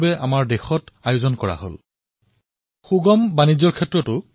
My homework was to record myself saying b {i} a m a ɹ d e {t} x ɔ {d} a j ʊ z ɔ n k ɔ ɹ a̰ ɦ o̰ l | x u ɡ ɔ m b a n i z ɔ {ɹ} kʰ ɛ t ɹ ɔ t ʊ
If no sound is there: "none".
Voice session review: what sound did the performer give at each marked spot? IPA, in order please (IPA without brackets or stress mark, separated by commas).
ɛ, none, t, ɹ